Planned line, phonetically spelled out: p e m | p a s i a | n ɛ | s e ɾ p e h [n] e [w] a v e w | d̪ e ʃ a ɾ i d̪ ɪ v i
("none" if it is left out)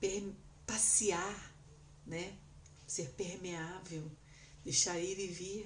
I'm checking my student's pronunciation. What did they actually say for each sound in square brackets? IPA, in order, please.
m, none

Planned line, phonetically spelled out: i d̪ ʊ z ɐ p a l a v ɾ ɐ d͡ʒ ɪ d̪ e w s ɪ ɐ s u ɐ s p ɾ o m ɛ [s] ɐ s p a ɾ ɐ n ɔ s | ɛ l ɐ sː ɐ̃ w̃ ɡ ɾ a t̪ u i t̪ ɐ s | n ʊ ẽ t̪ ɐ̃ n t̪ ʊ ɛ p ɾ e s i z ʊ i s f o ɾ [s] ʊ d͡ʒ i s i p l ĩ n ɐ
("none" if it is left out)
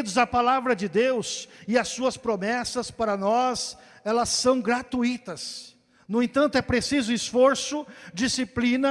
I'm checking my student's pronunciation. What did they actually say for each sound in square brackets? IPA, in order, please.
s, s

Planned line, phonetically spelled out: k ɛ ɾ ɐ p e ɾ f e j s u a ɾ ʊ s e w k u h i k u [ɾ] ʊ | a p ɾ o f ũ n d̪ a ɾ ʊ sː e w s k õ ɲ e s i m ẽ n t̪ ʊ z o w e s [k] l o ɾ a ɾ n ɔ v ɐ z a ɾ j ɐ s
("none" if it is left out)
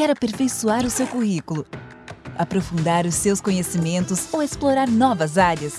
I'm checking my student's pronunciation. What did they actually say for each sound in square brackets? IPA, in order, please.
l, p

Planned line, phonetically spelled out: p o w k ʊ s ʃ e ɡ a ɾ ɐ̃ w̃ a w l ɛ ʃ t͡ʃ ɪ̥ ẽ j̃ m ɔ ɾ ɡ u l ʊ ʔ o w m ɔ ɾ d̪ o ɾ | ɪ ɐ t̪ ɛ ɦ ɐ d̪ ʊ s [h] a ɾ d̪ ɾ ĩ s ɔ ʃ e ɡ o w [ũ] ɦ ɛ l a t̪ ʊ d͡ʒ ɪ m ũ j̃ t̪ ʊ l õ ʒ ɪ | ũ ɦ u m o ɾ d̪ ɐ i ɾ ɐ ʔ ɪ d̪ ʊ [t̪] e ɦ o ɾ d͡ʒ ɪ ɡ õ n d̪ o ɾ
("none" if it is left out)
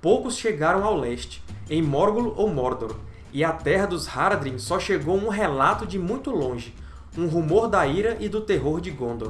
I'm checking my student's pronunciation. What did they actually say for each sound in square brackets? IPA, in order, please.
h, ũ, t̪

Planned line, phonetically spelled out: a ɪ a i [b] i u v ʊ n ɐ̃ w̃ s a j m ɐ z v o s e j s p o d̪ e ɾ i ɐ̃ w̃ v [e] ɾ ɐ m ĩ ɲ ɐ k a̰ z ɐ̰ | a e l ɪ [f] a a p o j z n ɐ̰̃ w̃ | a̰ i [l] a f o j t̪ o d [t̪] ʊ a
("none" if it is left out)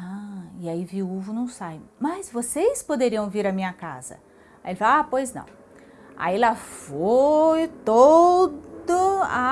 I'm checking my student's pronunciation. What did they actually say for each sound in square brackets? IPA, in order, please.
v, i, f, l, d̪

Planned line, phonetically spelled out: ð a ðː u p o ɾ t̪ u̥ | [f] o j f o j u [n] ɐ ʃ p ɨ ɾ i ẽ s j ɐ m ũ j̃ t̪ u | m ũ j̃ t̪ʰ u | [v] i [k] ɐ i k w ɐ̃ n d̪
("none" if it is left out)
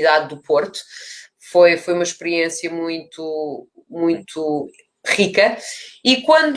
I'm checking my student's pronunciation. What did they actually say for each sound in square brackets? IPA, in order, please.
f, m, ʁ, k

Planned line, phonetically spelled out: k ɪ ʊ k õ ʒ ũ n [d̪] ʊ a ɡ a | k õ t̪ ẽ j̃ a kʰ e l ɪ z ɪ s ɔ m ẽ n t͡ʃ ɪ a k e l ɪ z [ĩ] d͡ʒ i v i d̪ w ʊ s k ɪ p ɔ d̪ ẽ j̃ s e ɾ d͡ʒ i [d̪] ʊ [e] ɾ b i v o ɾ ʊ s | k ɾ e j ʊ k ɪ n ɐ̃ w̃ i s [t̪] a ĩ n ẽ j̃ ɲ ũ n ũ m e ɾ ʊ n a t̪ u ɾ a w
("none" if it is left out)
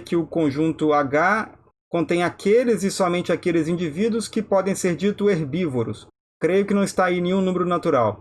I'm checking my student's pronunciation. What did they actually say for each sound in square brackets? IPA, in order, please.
t̪, ĩ, t̪, e, t̪

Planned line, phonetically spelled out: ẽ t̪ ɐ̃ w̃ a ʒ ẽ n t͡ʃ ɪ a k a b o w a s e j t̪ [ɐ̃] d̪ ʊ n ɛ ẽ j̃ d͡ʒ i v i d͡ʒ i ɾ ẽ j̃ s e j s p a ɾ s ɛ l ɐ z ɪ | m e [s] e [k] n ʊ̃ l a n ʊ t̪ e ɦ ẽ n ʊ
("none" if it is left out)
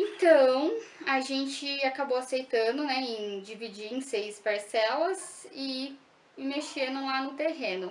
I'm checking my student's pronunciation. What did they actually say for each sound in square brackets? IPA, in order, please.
ɐ̃, ʃ, none

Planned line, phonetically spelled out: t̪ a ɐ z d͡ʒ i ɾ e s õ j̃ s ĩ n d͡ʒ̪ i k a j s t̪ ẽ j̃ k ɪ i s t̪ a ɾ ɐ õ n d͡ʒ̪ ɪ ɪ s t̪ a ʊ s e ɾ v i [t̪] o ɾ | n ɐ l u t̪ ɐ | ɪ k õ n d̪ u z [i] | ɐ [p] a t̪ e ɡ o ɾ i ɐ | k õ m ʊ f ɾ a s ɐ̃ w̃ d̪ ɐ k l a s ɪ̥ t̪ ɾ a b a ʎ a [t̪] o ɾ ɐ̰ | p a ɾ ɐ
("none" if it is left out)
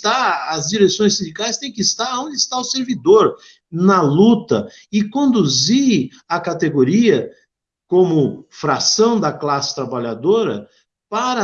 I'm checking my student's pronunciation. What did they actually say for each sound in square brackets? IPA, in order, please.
d̪, i, k, d̪

